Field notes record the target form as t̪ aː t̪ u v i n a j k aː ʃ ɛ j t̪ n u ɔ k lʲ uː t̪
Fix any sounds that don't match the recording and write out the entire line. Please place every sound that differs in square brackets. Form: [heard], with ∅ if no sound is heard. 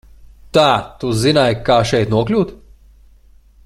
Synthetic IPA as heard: t̪ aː t̪ u [z] i n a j k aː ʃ ɛ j t̪ n u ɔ k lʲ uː t̪